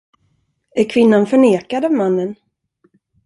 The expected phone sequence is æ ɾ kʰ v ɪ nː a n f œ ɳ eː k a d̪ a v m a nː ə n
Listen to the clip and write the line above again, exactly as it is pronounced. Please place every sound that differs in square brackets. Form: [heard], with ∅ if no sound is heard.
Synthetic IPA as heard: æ ɾ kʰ v ɪ nː a n f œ ɳ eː k a d̪ a v m a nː ə n